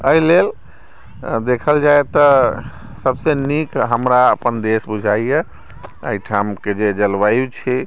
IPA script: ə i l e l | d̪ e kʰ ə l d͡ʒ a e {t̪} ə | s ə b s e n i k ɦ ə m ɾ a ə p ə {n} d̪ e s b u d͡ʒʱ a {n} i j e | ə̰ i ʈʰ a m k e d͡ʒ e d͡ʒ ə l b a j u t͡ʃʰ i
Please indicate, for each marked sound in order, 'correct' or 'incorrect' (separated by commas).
correct, correct, incorrect